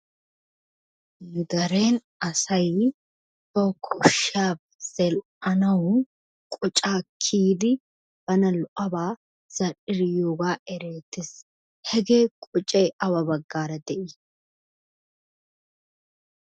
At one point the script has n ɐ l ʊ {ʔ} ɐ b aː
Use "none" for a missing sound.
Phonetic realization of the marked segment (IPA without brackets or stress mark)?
ʔ